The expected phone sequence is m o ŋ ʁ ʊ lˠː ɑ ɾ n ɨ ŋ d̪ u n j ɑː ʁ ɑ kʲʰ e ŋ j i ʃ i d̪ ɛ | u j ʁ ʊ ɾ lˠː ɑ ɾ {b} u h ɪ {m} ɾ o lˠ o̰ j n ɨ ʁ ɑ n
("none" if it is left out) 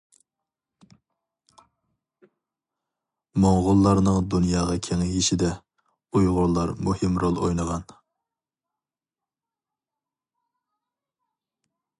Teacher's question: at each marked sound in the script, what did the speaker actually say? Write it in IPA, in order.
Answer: m, m

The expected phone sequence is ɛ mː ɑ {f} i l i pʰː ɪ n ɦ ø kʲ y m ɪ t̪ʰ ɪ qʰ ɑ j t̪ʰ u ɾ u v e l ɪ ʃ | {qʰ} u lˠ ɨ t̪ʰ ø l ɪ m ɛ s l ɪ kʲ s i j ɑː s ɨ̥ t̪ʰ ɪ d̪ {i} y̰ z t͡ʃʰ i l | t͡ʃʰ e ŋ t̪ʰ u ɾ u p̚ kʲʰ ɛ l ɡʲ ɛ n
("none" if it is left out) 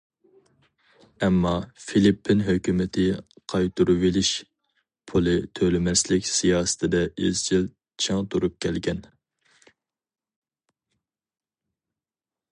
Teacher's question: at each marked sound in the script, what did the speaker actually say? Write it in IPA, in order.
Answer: f, pʰ, ɛ

